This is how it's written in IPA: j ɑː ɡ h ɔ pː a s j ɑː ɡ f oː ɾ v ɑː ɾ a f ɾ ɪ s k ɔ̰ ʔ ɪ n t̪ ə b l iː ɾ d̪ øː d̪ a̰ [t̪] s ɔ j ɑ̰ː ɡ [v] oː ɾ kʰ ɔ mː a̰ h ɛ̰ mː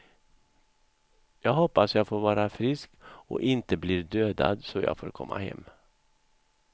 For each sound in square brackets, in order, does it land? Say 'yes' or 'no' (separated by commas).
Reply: no, no